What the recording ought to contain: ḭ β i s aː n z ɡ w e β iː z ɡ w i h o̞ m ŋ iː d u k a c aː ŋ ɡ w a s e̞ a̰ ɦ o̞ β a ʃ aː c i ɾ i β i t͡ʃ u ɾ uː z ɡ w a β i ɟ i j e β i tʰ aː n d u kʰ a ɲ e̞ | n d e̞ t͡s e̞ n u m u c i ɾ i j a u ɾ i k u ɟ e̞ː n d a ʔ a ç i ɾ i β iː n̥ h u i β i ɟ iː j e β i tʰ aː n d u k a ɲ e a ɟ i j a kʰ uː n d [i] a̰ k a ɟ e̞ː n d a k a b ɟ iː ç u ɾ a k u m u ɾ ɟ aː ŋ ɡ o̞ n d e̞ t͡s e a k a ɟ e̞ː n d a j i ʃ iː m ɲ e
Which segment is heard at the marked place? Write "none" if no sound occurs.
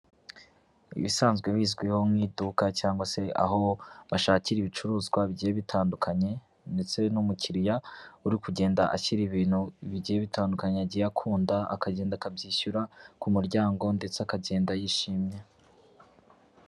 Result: a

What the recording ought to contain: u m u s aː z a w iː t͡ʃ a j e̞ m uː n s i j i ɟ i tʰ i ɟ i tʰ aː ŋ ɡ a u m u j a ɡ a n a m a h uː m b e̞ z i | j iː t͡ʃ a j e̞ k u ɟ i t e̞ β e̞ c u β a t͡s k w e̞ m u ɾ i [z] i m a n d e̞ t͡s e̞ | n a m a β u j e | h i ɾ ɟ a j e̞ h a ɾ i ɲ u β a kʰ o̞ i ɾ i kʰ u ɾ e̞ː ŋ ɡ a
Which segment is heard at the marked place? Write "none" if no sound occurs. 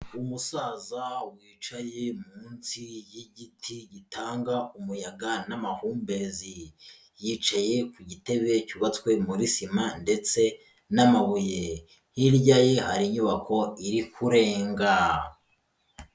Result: s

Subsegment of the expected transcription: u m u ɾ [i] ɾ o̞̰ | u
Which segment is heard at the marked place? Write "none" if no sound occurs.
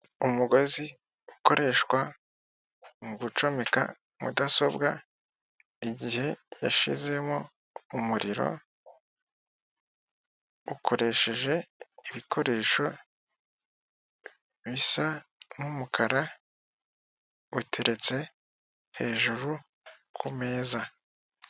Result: i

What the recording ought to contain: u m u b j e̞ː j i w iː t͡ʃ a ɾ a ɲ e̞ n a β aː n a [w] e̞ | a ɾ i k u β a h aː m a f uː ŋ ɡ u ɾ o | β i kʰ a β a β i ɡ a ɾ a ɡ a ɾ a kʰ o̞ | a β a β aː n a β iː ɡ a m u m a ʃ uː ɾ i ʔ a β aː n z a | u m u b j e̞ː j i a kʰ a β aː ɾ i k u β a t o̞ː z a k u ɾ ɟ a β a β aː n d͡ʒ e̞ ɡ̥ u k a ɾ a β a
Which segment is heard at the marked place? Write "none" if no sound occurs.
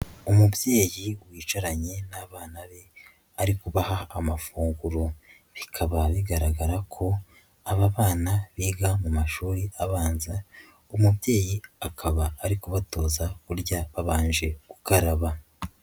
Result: β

